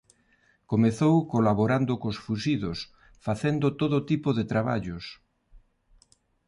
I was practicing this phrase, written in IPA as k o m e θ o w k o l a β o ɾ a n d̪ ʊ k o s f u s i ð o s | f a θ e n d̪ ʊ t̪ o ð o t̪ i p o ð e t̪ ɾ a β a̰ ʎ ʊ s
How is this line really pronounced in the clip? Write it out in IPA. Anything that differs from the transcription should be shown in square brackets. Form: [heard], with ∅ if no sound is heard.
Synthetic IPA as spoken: k o m e θ o w k o l a β o ɾ a n d̪ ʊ k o s f u s i ð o s | f a θ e n d̪ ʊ t̪ o ð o t̪ i p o ð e t̪ ɾ a β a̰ ʎ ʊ s